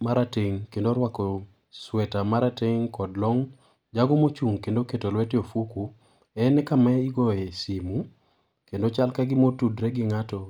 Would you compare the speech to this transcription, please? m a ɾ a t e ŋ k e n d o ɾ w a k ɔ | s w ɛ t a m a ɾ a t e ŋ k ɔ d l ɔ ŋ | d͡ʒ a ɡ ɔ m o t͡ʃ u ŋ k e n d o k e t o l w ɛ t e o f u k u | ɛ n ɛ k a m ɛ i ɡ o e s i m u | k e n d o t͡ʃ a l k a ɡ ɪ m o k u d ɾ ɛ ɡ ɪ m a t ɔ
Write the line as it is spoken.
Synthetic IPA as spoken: m a ɾ a t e ŋ k e n d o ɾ w a k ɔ | s w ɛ t a m a ɾ a t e ŋ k ɔ d l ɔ ŋ | d͡ʒ a ɡ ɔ m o t͡ʃ u ŋ k e n d o k e t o l w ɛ t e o f u k u | ɛ n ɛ k a m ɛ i ɡ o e s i m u | k e n d o t͡ʃ a l k a ɡ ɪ m o t u d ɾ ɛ ɡ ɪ ŋ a t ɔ